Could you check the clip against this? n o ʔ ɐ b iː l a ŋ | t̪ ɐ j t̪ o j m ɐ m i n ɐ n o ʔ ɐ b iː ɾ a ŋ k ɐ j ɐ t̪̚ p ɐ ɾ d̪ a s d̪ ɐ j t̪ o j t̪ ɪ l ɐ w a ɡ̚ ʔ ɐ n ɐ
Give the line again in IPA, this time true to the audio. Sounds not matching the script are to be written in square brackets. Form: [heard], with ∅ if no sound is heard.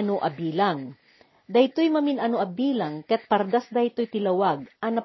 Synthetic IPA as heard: n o ʔ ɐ b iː l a ŋ | [d̪] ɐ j t̪ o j m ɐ m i n ɐ n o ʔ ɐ b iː [l] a ŋ k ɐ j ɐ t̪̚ p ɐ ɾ d̪ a s d̪ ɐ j t̪ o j t̪ ɪ l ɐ w a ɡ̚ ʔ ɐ n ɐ